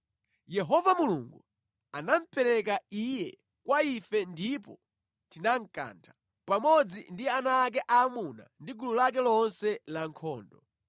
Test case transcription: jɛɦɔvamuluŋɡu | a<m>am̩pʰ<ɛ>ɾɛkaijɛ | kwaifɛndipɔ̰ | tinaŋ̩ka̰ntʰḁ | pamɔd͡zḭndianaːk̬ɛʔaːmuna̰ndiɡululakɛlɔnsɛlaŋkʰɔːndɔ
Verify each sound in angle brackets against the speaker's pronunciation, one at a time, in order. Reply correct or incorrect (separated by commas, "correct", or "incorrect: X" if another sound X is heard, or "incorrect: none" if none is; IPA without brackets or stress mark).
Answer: incorrect: n, correct